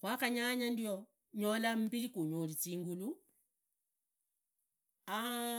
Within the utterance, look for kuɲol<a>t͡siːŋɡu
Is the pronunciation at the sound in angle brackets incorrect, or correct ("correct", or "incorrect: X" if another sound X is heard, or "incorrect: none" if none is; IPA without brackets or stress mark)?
incorrect: i